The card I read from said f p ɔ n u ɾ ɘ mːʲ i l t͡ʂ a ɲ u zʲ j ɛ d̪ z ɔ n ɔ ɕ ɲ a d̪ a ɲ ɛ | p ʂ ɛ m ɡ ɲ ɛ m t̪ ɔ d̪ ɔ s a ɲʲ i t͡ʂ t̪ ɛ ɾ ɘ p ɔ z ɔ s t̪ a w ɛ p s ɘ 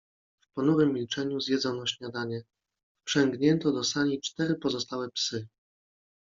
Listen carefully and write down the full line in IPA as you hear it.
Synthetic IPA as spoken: f p ɔ n u ɾ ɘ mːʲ i l t͡ʂ ɛ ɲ u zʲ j ɛ d̪ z ɔ n ɔ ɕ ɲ a d̪ a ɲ ɛ | p ʂ ɛ ŋ ɡ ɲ ɛ n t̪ ɔ d̪ ɔ s a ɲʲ i t͡ʂ t̪ ɛ ɾ ɘ p ɔ z ɔ s t̪ a w ɛ p s ɘ